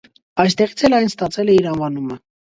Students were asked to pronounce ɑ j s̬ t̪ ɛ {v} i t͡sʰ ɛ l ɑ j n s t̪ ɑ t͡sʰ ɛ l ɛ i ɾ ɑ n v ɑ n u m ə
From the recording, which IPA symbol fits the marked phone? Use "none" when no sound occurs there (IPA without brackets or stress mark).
ʁ